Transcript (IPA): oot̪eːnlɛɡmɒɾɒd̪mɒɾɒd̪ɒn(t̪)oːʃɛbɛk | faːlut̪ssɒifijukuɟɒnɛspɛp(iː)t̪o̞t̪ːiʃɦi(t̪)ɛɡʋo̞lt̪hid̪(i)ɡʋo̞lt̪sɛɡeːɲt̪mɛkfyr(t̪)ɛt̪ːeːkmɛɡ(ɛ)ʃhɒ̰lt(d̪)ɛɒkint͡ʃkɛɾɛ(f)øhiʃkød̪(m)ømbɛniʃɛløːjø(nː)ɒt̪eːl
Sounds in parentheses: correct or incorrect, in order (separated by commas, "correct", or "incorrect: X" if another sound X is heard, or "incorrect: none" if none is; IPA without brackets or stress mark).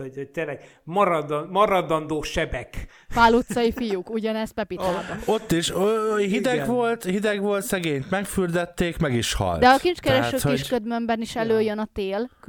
incorrect: d̪, incorrect: i, incorrect: d̪, incorrect: ɛ, incorrect: d̪, incorrect: i, correct, incorrect: ʃ, correct, incorrect: n